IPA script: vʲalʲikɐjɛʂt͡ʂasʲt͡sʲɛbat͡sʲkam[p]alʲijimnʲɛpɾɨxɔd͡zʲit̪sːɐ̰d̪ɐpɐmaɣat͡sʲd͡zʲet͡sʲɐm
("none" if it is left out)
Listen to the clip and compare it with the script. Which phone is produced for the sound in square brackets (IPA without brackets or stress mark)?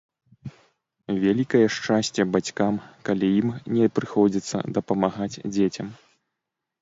k